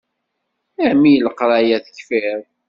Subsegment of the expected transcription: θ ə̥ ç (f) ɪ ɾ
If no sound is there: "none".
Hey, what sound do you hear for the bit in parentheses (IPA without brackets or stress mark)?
f